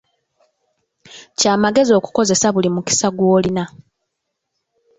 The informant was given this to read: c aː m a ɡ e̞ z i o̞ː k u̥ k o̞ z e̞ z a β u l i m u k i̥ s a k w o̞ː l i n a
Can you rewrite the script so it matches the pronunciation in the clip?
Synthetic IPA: c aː m a ɡ e̞ z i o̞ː k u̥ k o̞ z e̞ s a β u l i m u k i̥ s a ɡ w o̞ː l i n a